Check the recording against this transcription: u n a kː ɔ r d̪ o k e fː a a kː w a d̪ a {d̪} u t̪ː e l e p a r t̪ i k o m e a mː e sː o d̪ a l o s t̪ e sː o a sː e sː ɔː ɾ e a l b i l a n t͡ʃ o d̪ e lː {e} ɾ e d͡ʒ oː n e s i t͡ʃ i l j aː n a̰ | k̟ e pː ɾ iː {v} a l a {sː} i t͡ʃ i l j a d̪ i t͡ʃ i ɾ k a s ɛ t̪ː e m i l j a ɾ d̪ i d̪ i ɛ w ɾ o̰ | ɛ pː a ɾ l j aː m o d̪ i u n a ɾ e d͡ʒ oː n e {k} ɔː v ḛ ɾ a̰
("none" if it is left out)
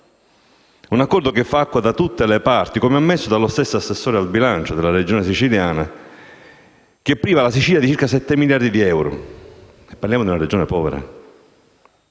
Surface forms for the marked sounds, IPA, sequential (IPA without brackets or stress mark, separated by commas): t̪, a, v, s, p